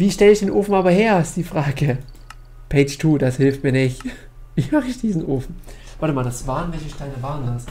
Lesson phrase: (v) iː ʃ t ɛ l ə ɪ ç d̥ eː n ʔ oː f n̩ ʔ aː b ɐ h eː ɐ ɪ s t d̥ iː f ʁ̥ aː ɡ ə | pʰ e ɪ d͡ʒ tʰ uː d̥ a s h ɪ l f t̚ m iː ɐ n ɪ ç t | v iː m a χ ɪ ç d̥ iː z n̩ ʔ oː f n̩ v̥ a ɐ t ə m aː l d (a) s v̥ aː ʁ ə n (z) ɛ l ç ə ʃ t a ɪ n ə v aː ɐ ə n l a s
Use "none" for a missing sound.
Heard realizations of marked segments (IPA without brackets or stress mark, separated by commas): v, a, v